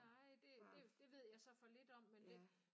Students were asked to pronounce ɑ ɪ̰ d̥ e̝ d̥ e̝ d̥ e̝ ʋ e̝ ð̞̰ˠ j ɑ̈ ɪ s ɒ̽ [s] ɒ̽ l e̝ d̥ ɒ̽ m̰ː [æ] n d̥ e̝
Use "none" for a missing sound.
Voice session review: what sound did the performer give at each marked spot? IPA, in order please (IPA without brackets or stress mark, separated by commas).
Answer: f, e